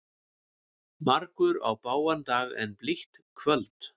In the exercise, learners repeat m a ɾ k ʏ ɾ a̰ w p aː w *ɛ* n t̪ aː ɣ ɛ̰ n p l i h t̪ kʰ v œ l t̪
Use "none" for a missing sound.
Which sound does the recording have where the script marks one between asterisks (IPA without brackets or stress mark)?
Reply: a